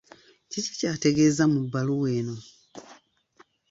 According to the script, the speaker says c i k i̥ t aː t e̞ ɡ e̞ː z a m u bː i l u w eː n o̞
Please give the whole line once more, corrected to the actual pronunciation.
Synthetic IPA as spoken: c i c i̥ c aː t e̞ ɡ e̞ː z a m u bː a l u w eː n o̞